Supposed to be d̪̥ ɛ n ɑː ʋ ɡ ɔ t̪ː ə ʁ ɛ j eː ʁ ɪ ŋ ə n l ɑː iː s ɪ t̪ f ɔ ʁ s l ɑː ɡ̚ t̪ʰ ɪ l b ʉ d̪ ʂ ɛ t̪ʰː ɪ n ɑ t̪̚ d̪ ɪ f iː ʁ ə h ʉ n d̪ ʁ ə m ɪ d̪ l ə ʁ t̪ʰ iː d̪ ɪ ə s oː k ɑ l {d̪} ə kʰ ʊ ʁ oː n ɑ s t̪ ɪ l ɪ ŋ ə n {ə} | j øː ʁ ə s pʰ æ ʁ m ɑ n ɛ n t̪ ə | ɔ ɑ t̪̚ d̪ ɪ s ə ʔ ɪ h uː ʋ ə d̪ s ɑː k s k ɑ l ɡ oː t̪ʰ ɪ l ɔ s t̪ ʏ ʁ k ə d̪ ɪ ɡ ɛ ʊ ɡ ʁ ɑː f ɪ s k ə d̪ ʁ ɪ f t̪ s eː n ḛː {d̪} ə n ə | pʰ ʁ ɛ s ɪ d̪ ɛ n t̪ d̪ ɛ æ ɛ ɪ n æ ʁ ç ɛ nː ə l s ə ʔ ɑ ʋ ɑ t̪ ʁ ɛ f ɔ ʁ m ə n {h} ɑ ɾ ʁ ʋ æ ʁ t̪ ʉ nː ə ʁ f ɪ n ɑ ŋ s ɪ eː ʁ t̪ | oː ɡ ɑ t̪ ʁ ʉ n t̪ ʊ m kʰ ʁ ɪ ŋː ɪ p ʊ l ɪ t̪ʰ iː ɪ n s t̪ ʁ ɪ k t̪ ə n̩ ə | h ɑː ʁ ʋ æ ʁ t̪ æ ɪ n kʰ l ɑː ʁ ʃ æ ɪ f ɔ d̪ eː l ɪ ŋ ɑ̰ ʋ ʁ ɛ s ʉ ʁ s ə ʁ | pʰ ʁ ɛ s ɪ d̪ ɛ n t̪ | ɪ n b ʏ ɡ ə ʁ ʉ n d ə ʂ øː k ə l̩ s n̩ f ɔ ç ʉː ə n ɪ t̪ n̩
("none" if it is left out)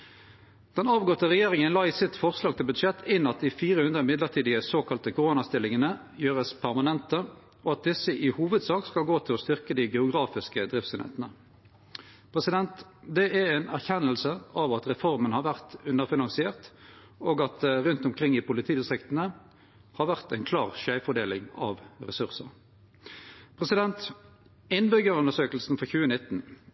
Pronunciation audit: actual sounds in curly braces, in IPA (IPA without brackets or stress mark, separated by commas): t̪, ə, t̪, h